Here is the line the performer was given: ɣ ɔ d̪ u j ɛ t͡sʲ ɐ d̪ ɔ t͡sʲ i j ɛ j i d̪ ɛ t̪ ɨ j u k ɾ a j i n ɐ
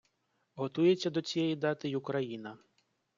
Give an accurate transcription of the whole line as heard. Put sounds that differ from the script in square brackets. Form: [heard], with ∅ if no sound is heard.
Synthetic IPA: ɣ ɔ [t̪] u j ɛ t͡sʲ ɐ d̪ ɔ t͡sʲ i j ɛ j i d̪ [a] t̪ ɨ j u k ɾ a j i n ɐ